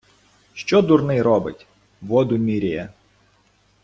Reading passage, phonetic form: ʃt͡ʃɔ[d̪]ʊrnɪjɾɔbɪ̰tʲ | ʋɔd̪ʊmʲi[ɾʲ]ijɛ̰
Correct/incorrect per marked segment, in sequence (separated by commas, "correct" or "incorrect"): correct, correct